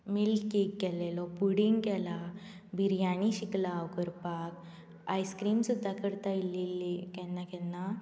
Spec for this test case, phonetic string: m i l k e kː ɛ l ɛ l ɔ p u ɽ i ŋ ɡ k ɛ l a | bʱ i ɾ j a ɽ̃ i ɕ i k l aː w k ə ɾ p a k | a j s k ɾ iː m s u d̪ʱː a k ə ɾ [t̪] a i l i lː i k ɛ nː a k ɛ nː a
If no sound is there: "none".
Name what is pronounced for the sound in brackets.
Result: t̪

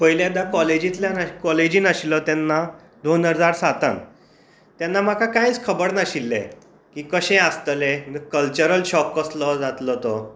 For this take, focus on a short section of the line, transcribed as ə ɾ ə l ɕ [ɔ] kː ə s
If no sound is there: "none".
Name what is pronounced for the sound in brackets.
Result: ɔ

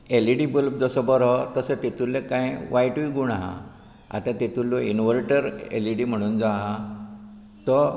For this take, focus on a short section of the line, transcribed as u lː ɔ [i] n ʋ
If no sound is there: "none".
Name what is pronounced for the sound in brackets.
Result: i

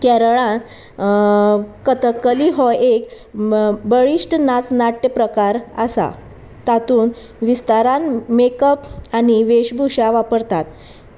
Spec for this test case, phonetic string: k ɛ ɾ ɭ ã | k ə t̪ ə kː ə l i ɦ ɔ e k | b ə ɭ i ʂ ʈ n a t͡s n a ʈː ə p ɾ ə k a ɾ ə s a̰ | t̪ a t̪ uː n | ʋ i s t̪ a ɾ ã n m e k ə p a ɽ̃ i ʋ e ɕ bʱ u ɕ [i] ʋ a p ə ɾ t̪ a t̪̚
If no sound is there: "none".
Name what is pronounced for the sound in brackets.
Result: a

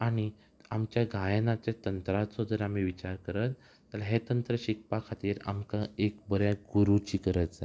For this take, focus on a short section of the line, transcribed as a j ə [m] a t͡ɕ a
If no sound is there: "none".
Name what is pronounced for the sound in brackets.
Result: n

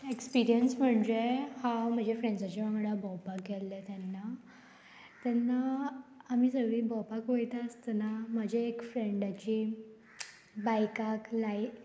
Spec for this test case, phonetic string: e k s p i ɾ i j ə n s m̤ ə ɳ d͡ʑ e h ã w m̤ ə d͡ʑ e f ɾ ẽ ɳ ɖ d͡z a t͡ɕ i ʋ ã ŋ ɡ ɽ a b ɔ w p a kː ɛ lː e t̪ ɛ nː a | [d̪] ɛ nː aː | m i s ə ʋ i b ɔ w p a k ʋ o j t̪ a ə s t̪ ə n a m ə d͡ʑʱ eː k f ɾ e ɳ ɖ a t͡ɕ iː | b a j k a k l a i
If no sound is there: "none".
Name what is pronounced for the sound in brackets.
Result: t̪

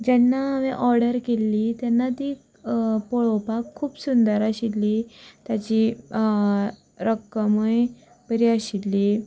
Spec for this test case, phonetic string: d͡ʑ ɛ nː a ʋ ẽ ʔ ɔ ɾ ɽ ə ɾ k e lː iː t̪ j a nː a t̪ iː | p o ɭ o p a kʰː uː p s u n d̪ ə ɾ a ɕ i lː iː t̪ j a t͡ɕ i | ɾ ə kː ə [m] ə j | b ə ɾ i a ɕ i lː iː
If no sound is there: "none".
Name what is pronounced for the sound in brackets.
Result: m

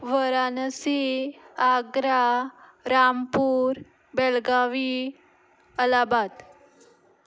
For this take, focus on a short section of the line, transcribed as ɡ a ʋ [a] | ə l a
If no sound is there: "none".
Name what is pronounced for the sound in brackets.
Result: i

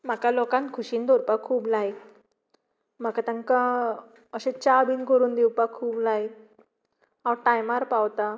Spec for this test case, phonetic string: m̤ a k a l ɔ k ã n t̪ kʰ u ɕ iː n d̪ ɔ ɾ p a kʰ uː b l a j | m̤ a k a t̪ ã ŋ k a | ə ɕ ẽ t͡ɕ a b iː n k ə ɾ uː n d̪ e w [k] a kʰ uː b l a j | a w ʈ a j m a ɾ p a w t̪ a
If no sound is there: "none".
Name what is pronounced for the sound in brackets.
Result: p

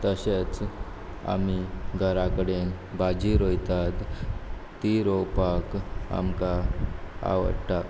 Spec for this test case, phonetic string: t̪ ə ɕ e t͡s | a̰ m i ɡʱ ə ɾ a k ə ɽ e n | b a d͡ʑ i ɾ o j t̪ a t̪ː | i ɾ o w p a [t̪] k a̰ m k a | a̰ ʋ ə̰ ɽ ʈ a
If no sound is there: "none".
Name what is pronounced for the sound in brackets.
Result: none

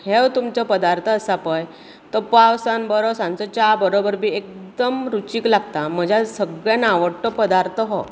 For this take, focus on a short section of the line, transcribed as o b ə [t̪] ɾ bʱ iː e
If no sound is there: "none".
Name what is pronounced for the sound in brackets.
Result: none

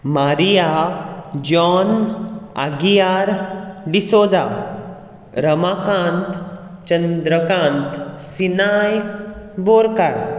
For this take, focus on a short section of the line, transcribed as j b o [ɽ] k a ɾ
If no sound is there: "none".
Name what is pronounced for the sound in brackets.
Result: ɾ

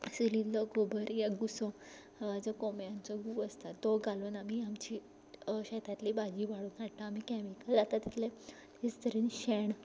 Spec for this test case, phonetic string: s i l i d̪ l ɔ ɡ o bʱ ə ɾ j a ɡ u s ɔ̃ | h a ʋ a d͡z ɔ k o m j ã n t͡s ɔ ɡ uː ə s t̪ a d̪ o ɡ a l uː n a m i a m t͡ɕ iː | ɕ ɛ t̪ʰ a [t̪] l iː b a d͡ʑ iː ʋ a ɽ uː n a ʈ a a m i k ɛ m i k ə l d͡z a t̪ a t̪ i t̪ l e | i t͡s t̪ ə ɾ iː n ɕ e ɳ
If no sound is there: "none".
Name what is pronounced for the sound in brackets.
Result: t̪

